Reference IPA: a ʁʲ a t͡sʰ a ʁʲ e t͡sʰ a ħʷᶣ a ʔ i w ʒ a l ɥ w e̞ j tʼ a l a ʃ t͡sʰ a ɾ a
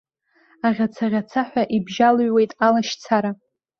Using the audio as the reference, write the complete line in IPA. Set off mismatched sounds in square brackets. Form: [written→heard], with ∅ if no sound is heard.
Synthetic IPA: a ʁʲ a t͡sʰ a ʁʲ [e→a] t͡sʰ a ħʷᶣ a ʔ i [w→b] ʒ a l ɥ w e̞ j tʼ a l a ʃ t͡sʰ a ɾ a